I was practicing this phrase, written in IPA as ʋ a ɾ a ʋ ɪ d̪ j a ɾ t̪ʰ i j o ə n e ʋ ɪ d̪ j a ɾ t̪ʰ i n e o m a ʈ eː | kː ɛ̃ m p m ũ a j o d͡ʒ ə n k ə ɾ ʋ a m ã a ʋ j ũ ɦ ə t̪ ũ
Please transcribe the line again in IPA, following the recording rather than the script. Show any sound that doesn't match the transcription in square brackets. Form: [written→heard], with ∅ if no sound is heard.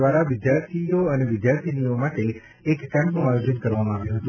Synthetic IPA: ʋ a ɾ a ʋ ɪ d̪ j a ɾ t̪ʰ i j o ə n e ʋ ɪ d̪ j a ɾ t̪ʰ i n [e→i] o m a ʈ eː | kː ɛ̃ m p [m→n] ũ a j o d͡ʒ ə n k ə ɾ ʋ a m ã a ʋ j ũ ɦ ə t̪ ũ